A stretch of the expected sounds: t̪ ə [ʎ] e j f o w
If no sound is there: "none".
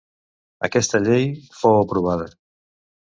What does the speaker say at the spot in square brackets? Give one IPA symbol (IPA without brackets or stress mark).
ʎ